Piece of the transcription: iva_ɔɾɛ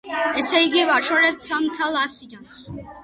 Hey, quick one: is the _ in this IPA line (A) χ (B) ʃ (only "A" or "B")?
B